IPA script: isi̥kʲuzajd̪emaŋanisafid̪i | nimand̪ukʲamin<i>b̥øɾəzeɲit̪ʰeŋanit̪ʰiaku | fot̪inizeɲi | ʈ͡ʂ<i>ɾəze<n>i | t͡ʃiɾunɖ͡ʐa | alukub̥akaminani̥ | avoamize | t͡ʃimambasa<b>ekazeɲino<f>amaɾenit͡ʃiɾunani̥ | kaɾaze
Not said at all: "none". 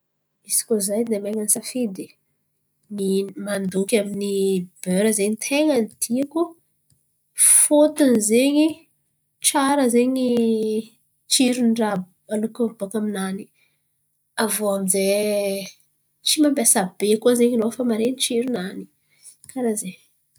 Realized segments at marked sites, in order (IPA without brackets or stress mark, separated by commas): i, a, ɲ, b, f